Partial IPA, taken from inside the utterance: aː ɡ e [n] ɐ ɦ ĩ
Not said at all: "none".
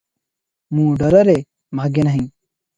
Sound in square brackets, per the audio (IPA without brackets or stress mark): n